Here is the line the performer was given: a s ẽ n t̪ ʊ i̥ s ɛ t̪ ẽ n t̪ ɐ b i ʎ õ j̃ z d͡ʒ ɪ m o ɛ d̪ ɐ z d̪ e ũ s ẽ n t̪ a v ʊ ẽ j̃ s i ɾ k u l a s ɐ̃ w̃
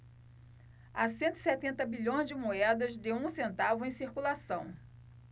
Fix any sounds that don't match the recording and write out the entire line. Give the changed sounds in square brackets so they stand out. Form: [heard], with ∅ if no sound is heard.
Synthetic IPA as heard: a s ẽ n t̪ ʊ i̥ s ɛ t̪ ẽ n t̪ ɐ b i ʎ õ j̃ z d͡ʒ ɪ m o ɛ d̪ ɐ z d̪ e ũ s ẽ n t̪ a v ʊ ẽ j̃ s i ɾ k u l a s ɐ̃ w̃